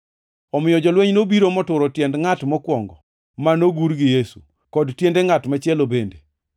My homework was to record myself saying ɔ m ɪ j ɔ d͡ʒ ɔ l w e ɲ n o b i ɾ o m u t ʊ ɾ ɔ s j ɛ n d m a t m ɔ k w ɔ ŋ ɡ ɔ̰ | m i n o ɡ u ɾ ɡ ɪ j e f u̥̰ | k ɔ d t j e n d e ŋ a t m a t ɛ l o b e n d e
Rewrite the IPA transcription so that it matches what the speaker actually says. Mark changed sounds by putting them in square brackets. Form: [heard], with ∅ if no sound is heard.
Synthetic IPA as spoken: ɔ m ɪ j ɔ d͡ʒ ɔ l w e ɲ n o b i ɾ o m [ɔ] t ʊ ɾ ɔ [t] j ɛ n d [ŋ] a t m ɔ k w ɔ ŋ ɡ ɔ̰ | m [a] n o ɡ u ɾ ɡ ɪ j e [s] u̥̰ | k ɔ d t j e n d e ŋ a t m a [t͡ʃ] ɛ l o b e n d e